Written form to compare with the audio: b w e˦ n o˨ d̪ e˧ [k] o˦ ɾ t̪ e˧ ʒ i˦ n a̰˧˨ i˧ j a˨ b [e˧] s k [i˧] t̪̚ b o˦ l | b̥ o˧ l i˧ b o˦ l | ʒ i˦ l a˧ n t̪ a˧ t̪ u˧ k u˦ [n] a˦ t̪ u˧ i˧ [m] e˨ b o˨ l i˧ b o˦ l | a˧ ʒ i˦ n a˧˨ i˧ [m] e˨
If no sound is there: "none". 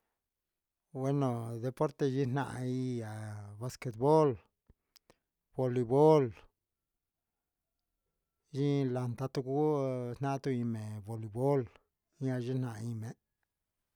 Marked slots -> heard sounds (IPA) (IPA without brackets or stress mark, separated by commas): p, a˧, e˧, n, m, m